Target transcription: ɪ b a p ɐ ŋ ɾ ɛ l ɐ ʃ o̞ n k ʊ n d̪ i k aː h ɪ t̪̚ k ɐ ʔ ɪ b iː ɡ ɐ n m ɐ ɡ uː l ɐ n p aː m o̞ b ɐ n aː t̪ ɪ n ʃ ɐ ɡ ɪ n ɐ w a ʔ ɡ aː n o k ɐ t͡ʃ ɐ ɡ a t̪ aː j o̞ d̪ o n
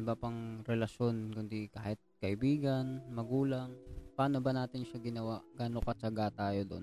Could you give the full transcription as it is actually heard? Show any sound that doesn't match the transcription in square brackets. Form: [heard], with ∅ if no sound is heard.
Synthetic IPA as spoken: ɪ b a p ɐ ŋ ɾ ɛ l ɐ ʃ o̞ n k ʊ n d̪ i k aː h ɪ t̪̚ k ɐ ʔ ɪ b iː ɡ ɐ n m ɐ ɡ uː l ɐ [ŋ] p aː [n] o̞ b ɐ n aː t̪ ɪ n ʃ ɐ ɡ ɪ n ɐ w a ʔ ɡ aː n o k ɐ t͡ʃ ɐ ɡ a t̪ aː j o̞ d̪ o n